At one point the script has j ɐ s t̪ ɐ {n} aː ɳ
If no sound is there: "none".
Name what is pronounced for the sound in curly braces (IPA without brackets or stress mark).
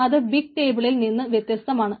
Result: m